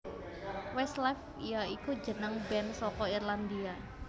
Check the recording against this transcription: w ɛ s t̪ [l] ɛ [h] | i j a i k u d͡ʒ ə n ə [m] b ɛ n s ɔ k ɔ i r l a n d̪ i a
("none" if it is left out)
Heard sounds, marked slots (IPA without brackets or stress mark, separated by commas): l, f, ŋ